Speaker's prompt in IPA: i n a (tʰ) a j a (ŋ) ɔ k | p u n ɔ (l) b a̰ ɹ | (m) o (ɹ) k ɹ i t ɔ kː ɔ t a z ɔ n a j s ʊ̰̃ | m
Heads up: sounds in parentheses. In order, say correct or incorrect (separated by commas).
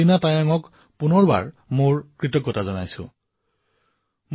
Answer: incorrect, correct, incorrect, correct, correct